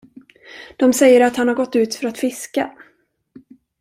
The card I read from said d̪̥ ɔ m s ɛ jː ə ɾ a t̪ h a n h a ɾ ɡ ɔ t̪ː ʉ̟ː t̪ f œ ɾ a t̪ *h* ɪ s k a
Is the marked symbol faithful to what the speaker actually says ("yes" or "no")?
no